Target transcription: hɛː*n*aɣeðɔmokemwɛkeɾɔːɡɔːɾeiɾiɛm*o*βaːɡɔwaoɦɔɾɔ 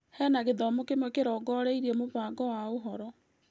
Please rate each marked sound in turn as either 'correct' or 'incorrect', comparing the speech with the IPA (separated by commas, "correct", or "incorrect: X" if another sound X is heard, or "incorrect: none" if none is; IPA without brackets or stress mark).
correct, correct